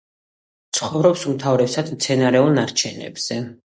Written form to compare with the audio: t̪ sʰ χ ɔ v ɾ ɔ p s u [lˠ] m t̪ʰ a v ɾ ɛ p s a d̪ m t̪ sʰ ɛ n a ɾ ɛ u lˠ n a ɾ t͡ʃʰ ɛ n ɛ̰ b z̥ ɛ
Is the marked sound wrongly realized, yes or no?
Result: yes